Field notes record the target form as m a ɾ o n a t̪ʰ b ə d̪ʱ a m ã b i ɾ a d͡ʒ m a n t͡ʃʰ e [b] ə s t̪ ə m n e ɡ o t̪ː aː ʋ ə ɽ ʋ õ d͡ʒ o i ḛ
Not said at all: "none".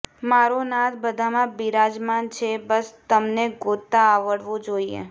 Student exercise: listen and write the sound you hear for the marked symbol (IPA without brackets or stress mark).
b